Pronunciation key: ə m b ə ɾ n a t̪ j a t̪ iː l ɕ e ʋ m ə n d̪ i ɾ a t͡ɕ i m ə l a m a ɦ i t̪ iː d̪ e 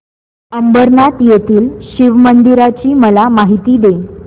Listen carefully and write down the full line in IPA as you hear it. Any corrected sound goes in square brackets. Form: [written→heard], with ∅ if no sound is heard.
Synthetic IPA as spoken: ə m b ə ɾ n a t̪ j [a→e] t̪ iː l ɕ [e→i] ʋ m ə n d̪ i ɾ a t͡ɕ [i→iː] m ə l a m a ɦ i t̪ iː d̪ e